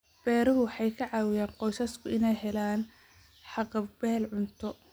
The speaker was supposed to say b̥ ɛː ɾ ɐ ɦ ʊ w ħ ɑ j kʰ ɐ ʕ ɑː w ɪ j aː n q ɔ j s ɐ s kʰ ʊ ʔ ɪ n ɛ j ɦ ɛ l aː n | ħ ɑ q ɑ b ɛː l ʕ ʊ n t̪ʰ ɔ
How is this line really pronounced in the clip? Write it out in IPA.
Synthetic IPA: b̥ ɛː ɾ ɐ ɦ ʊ w ħ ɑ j kʰ ɐ ʕ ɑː w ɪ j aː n q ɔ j s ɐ s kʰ ʊ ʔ ɪ n ɛ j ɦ ɛ l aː n | ħ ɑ q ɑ b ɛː l ʕ ʊ n t̪ʰ ɔ